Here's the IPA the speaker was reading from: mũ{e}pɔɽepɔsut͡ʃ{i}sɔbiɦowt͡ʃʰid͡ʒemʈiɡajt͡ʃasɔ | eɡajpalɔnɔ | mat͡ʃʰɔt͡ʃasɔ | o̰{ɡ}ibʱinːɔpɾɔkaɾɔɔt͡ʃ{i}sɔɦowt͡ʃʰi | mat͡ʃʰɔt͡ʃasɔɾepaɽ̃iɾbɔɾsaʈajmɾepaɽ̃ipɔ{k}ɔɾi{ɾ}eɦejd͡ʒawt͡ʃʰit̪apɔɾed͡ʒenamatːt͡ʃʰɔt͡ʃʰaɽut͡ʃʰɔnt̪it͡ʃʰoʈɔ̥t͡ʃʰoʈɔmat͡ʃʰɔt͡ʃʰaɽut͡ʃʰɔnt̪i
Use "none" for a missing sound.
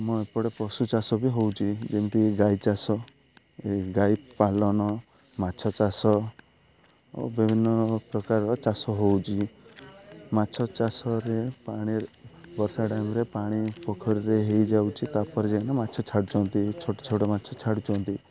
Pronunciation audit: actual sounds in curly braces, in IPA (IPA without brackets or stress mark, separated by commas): e, a, b, a, kʰ, ɾ